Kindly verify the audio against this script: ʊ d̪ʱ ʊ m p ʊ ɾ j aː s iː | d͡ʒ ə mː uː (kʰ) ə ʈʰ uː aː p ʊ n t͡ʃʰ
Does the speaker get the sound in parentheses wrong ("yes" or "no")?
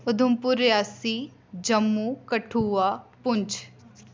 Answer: yes